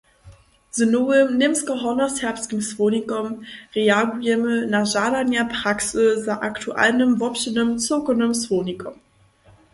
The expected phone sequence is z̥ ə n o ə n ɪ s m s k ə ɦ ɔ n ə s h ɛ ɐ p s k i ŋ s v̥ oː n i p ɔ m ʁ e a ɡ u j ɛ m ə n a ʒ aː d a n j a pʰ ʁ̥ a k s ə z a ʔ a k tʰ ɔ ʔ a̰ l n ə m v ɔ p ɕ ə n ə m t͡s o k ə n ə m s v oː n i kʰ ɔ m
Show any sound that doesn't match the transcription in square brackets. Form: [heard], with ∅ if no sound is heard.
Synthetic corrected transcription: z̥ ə n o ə n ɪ [∅] m s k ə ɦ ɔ n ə s h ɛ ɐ p s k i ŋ s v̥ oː n i [k] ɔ m ʁ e a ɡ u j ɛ m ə n a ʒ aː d a n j a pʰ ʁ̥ a k s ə z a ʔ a k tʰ [u] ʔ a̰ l n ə m v ɔ p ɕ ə n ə m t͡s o k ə n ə m s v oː n i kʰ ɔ m